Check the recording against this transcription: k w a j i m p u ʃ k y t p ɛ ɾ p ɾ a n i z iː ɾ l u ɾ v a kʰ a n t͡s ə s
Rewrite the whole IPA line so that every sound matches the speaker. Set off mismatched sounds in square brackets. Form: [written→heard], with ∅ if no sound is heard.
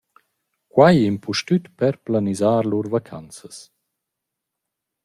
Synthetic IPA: k w a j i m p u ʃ [k→t] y t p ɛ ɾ p [ɾ→l] a n i z [iː→aː] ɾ l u ɾ v a kʰ a n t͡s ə s